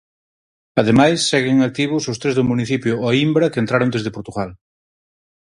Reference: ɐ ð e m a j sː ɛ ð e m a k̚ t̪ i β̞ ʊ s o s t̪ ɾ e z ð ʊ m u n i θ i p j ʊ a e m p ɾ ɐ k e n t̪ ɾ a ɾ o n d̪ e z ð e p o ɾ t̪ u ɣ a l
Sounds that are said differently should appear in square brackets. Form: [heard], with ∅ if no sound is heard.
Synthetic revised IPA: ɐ ð e m a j sː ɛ [ɣ] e [ŋ] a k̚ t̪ i β̞ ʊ s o s t̪ ɾ e z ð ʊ m u n i θ i p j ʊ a [i] m [b] ɾ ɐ k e n t̪ ɾ a ɾ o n d̪ e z ð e p o ɾ t̪ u ɣ a l